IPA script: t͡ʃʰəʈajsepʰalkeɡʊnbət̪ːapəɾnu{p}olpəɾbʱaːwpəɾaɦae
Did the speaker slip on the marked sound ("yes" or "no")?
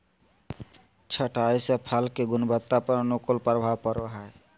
yes